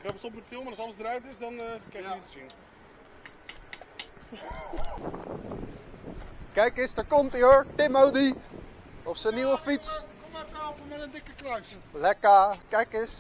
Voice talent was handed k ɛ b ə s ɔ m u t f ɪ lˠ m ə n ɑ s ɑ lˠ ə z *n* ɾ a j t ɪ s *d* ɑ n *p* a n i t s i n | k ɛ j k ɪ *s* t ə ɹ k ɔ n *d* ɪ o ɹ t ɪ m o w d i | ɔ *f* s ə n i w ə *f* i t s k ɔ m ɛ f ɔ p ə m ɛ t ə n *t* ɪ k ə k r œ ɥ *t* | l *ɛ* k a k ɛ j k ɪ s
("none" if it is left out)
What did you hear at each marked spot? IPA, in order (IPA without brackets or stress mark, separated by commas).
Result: d, d, k, s, t, f, f, d, s, ɛ